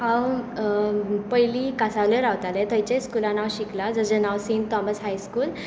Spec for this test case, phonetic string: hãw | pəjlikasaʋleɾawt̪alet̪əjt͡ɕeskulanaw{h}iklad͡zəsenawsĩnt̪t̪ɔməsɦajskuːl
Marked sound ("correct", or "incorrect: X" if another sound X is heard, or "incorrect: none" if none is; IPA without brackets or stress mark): incorrect: ɕ